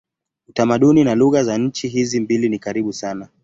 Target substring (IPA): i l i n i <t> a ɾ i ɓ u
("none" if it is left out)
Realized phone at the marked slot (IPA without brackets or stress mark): k